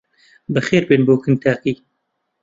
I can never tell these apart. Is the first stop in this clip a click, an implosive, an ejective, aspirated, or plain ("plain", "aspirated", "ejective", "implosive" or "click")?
plain